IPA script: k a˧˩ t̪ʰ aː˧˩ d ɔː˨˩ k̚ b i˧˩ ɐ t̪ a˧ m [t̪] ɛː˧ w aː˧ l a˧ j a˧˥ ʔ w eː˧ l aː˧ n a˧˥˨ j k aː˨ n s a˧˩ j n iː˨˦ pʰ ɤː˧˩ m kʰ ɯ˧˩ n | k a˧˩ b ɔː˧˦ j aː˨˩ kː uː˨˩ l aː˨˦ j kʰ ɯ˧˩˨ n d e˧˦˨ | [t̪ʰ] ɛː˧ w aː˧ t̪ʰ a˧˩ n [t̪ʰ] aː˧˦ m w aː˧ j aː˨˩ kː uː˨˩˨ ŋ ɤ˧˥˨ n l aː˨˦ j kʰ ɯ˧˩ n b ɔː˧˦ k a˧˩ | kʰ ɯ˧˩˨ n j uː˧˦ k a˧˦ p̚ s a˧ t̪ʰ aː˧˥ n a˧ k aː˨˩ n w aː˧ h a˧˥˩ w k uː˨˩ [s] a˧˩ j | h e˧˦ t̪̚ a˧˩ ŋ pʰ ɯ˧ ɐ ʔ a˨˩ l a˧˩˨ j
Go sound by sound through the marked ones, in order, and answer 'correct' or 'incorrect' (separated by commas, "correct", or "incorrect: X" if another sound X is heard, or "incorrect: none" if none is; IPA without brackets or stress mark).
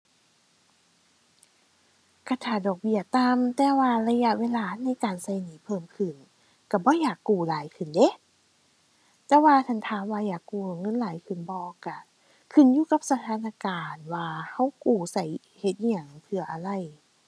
correct, incorrect: t̪, correct, correct